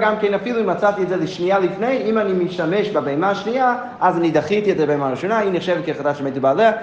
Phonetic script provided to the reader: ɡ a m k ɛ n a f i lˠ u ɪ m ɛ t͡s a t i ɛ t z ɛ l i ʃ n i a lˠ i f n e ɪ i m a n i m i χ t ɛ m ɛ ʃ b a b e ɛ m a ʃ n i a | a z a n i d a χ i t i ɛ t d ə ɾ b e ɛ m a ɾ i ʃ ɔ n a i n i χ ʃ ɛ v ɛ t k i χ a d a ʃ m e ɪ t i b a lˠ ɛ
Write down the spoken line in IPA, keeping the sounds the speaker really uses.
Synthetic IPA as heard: ɡ a m k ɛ n a f i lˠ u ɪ m a t͡s a t i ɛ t z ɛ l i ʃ n i a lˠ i f n e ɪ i m a n i m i ʃ t a m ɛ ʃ b a b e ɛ m a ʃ n i a | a z a n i d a χ i t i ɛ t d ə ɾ b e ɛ m a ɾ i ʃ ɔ n a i n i χ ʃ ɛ v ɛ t k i χ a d a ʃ m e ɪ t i b a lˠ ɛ